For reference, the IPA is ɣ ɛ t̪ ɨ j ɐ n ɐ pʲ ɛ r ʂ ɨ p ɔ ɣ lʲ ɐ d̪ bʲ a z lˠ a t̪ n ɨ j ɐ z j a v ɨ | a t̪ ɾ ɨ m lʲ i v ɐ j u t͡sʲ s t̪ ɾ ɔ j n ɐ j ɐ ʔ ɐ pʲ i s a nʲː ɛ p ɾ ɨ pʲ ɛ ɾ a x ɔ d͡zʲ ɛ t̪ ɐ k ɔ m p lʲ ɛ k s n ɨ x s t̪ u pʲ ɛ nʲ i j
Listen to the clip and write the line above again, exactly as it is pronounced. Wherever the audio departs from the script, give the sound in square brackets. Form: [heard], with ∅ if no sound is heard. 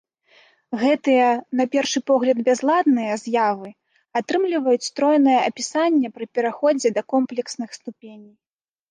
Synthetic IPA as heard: ɣ ɛ t̪ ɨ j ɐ n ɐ pʲ ɛ r ʂ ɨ p ɔ ɣ lʲ ɐ d̪ bʲ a z lˠ a [d̪] n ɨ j ɐ z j a v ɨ | a t̪ ɾ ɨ m lʲ i v ɐ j u t͡sʲ s t̪ ɾ ɔ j n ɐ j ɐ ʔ ɐ pʲ i s a nʲː ɛ p ɾ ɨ pʲ ɛ ɾ a x ɔ d͡zʲ ɛ [d̪] ɐ k ɔ m p lʲ ɛ k s n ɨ x s t̪ u pʲ [e] nʲ i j